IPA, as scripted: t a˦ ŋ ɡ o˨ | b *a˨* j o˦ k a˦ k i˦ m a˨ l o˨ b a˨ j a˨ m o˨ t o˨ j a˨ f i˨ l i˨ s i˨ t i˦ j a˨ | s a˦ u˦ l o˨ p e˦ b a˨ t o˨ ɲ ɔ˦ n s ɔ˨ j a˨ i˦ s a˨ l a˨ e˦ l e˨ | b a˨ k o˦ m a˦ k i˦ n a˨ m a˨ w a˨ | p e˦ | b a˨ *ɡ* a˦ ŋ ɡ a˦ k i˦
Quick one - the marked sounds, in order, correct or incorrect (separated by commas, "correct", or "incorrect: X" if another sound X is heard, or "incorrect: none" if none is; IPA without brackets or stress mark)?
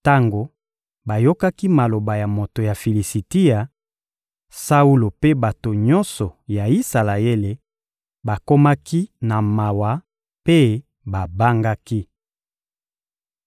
correct, incorrect: b